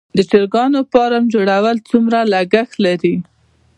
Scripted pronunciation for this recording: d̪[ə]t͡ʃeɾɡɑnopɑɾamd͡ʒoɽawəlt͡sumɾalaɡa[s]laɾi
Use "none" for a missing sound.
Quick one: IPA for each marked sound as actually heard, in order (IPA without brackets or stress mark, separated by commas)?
ə, x